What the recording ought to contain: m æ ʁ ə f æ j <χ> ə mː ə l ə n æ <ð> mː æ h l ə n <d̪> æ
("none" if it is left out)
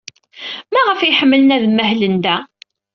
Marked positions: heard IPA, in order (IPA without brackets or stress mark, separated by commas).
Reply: ħ, ð, d̪